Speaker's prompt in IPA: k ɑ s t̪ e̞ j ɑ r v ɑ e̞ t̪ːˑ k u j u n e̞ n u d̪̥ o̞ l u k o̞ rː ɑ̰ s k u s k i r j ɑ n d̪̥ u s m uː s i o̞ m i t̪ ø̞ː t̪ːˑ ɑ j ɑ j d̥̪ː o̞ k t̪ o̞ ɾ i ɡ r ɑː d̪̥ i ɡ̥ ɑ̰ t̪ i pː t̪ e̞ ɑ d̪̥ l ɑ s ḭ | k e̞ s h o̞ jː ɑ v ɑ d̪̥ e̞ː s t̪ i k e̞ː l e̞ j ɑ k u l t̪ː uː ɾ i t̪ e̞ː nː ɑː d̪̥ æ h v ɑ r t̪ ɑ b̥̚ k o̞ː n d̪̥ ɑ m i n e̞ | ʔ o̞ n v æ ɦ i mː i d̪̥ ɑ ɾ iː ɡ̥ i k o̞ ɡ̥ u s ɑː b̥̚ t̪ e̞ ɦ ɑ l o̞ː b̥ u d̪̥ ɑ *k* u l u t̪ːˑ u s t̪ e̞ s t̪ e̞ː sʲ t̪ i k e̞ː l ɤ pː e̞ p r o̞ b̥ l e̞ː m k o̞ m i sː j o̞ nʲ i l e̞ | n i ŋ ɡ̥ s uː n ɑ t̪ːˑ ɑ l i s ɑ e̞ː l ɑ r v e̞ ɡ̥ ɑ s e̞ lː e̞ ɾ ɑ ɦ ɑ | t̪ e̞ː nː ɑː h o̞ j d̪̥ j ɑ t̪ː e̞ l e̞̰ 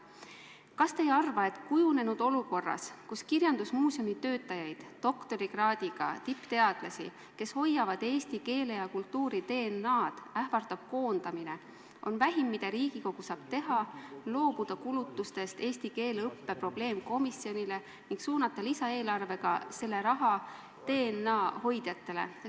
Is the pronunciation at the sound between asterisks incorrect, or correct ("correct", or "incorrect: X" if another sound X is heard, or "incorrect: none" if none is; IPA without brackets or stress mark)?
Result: correct